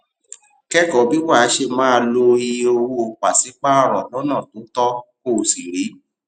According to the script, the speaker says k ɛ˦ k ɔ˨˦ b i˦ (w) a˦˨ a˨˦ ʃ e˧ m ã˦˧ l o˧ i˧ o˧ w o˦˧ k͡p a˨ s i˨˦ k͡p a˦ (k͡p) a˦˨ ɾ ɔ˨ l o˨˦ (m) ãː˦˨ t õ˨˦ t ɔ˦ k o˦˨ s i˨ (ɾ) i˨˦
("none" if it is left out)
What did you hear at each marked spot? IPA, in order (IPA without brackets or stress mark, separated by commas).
w, none, n, ɾ